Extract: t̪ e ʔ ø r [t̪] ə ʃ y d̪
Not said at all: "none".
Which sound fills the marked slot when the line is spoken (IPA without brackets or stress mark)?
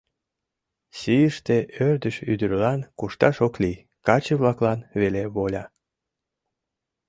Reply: d̪